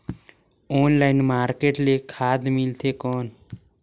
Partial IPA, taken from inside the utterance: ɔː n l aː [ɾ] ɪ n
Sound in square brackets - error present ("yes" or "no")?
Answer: yes